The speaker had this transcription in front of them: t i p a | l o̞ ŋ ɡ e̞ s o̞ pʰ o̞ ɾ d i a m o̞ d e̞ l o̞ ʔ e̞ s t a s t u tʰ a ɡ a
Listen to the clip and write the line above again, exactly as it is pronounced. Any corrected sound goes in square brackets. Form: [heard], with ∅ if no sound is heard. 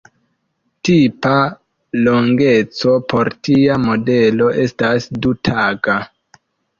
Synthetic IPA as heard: t i p a | l o̞ ŋ ɡ e̞ [t͡s] o̞ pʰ o̞ ɾ [t] i a m o̞ d e̞ l o̞ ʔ e̞ s t a s [d] u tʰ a ɡ a